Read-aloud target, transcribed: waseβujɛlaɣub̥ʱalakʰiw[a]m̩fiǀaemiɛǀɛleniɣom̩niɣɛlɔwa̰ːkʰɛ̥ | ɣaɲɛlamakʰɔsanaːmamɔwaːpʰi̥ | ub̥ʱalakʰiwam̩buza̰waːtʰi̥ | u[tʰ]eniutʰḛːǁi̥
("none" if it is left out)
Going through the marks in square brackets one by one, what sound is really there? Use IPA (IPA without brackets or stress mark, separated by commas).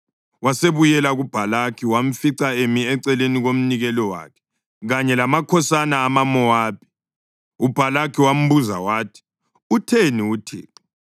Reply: a, tʰ